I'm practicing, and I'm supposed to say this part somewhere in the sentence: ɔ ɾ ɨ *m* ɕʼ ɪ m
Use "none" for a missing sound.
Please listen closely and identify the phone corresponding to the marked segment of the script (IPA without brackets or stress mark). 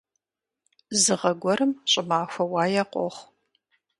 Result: m